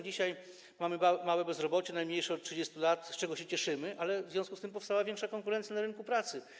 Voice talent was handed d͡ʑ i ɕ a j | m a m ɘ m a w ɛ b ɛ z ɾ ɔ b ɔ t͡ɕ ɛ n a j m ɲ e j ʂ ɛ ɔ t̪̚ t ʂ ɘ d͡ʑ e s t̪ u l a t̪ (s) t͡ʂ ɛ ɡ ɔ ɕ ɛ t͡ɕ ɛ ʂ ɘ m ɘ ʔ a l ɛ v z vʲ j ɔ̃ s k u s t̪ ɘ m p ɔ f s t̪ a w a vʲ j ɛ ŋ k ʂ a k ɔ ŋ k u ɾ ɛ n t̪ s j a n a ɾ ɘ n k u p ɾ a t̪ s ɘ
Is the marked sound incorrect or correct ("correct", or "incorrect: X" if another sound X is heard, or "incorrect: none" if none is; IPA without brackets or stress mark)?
correct